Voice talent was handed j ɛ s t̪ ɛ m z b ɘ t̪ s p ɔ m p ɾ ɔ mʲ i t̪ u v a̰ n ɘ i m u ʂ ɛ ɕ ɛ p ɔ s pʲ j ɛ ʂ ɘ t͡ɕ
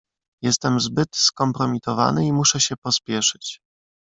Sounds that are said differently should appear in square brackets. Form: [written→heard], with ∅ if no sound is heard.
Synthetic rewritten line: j ɛ s t̪ ɛ m z b ɘ t̪ s [p→k] ɔ m p ɾ ɔ mʲ i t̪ [u→ɔ] v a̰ n ɘ i m u ʂ ɛ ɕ ɛ p ɔ s pʲ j ɛ ʂ ɘ t͡ɕ